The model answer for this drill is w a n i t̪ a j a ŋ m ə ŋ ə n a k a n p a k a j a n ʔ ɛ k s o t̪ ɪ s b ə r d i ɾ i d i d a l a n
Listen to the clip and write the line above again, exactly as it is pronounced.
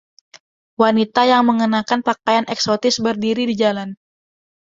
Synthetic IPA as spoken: w a n i t̪ a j a ŋ m ə ŋ ə n a k a n p a k a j a n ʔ ɛ k s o t̪ ɪ s b ə r d i ɾ i d i d͡ʒ a l a n